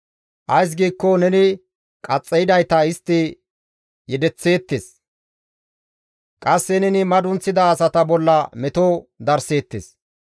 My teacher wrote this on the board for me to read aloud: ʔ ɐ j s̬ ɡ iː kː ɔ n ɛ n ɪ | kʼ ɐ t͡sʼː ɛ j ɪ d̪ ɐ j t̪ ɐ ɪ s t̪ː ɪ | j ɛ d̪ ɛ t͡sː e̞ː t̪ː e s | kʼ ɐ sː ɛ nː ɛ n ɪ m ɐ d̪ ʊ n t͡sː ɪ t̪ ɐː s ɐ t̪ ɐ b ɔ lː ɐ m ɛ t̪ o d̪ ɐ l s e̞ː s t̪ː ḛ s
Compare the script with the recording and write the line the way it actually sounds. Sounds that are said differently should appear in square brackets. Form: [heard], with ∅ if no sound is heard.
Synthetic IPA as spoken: ʔ ɐ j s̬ ɡ iː kː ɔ n ɛ n ɪ | kʼ ɐ t͡sʼː ɛ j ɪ d̪ ɐ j t̪ ɐ ɪ s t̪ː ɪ | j ɛ d̪ ɛ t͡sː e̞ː t̪ː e s | kʼ ɐ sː ɛ [n] ɛ n ɪ m ɐ d̪ ʊ n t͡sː ɪ [d̪] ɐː s ɐ t̪ ɐ b ɔ lː ɐ m ɛ t̪ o d̪ ɐ [ɾ] s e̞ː [∅] t̪ː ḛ s